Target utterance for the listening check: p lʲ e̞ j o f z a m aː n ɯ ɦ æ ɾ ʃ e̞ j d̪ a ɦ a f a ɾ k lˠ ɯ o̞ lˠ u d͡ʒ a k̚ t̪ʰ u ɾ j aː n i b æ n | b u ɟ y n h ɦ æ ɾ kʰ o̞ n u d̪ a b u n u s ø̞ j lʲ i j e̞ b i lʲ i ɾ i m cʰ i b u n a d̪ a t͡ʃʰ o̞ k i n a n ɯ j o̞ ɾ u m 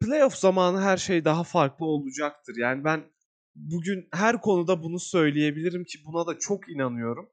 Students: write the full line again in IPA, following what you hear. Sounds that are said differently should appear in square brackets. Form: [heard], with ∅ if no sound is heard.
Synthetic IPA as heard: p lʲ e̞ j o f z a m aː n ɯ ɦ æ ɾ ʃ e̞ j d̪ a ɦ a f a ɾ k lˠ ɯ o̞ lˠ u d͡ʒ a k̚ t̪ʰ [ɯ] ɾ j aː n i b æ n | b u ɟ y n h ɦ æ ɾ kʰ o̞ n u d̪ a b u n u s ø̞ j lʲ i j e̞ b i lʲ i ɾ i m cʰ i b u n a d̪ a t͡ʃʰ o̞ k i n a n ɯ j o̞ ɾ u m